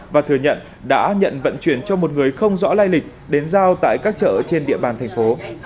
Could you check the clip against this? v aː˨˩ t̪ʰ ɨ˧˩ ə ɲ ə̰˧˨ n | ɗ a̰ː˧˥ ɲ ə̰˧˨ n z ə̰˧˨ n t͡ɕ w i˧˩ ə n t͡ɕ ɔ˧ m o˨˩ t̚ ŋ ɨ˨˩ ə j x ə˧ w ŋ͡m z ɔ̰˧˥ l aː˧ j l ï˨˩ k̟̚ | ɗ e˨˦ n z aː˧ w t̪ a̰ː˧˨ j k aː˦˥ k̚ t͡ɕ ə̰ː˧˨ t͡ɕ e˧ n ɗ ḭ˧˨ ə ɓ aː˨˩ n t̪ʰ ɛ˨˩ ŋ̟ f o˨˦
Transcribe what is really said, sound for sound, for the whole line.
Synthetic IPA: v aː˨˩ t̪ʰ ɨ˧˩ ə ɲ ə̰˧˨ n | ɗ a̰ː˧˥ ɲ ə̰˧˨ n v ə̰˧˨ n t͡ɕ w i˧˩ ə n t͡ɕ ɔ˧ m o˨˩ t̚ ŋ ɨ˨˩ ə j x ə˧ w ŋ͡m z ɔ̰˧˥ l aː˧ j l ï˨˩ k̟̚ | ɗ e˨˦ n z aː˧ w t̪ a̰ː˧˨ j k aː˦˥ k̚ t͡ɕ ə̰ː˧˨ t͡ɕ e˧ n ɗ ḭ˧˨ ə ɓ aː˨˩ n t̪ʰ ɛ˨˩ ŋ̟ f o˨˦